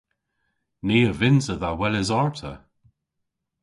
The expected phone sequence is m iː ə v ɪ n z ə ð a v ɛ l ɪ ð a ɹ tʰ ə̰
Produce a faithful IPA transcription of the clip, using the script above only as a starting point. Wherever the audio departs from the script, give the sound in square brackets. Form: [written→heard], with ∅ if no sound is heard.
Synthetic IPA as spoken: [m→n] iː ə v ɪ n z ə ð a [v→w] ɛ l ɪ [ð→z] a ɹ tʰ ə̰